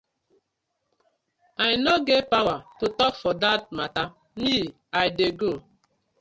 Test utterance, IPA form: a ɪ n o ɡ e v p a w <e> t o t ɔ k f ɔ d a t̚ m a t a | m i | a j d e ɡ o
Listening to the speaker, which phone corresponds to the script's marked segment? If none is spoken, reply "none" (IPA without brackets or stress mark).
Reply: a